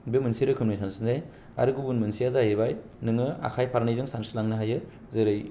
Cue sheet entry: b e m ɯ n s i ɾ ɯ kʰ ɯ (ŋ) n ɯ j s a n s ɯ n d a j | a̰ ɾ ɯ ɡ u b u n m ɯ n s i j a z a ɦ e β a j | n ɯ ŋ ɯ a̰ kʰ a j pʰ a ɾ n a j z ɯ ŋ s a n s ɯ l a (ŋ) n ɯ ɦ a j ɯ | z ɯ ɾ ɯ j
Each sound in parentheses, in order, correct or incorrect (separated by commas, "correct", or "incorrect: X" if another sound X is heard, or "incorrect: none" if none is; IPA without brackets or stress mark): incorrect: m, correct